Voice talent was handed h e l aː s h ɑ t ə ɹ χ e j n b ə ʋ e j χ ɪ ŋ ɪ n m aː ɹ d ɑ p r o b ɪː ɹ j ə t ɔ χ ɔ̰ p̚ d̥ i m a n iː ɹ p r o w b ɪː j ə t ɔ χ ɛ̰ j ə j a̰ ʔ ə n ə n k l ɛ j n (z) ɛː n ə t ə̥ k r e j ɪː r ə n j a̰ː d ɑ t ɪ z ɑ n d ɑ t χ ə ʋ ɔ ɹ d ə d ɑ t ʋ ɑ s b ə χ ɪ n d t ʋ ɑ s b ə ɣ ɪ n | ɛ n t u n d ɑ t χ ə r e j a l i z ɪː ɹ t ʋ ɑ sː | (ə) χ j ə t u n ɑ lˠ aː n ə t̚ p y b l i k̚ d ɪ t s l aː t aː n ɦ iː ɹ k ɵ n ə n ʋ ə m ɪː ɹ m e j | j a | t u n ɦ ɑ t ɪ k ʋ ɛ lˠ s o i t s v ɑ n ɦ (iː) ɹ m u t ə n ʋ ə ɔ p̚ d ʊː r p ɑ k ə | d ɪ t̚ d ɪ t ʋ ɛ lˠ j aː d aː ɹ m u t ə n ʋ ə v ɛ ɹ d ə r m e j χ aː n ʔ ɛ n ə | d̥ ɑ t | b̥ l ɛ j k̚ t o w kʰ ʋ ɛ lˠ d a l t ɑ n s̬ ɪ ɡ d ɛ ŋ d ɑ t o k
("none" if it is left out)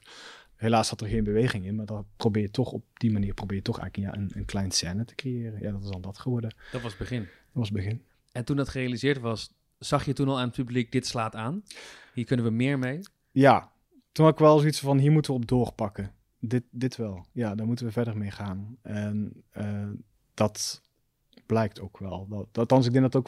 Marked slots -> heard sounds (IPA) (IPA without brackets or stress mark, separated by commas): s, ɑ, iː